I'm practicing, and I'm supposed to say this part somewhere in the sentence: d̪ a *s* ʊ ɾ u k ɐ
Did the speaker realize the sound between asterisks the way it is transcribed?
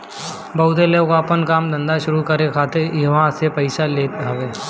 no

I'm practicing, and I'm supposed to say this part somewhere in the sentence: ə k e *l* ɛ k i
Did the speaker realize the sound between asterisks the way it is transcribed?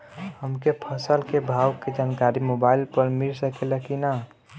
yes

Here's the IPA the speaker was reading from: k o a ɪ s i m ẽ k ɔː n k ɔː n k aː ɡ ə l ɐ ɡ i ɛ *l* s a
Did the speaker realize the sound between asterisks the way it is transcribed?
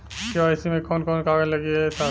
no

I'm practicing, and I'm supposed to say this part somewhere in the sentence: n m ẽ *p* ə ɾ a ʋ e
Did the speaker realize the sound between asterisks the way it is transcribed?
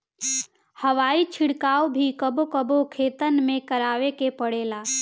no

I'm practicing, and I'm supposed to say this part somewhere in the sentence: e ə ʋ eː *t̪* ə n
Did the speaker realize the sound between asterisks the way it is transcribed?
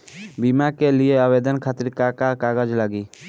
no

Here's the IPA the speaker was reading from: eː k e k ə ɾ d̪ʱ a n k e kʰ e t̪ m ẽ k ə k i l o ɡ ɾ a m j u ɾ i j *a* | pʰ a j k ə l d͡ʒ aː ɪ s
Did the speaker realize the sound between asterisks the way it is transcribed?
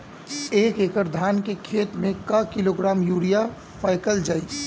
yes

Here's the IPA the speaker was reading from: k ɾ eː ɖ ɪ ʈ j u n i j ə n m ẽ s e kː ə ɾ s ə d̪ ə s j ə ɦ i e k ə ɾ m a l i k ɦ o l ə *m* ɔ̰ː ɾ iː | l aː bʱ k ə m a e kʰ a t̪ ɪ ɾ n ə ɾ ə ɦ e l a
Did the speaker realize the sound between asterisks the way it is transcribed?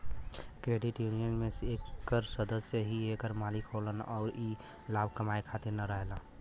no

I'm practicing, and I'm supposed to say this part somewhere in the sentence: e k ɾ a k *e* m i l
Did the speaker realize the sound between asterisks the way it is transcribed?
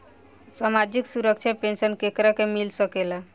yes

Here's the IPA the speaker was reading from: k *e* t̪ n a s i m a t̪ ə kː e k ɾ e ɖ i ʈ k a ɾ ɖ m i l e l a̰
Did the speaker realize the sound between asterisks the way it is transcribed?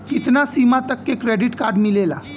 no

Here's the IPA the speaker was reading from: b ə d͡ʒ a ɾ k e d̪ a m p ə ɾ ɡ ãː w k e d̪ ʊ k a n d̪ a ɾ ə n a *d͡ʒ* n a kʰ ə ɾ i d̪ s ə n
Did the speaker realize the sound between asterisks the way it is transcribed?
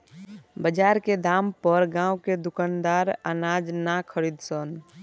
yes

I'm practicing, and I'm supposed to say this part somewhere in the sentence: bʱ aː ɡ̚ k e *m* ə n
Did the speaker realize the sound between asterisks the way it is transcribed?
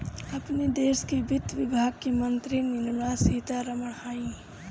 yes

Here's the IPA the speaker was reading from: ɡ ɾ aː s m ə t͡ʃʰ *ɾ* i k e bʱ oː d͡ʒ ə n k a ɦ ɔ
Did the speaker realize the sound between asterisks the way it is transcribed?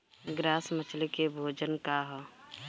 no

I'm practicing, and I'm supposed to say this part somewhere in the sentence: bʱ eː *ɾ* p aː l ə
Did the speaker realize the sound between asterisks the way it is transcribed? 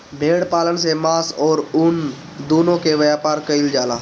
no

